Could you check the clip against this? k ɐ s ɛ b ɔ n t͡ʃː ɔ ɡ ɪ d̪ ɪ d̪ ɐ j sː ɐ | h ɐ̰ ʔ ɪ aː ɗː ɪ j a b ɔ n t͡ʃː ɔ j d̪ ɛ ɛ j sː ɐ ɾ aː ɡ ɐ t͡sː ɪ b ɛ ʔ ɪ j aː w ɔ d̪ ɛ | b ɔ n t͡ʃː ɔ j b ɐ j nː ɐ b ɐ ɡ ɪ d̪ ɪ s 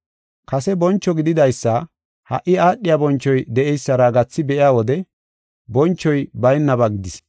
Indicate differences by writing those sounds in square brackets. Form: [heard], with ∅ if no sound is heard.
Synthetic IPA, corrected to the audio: k ɐ s ɛ b ɔ n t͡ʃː ɔ ɡ ɪ d̪ ɪ d̪ ɐ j sː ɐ | h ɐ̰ ʔ ɪ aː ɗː ɪ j a b ɔ n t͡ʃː ɔ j d̪ ɛ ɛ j sː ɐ ɾ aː ɡ ɐ t͡sː ɪ b ɛ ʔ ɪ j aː w ɔ d̪ ɛ | b ɔ n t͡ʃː ɔ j b ɐ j nː ɐ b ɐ ɡ ɪ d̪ ɪ s